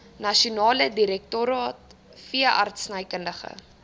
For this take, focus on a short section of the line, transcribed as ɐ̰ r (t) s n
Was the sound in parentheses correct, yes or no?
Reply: yes